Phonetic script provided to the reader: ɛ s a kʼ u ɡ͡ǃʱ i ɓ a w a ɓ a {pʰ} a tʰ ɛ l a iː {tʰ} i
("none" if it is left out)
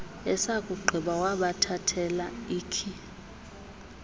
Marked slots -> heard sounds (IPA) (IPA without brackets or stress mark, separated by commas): tʰ, kʰ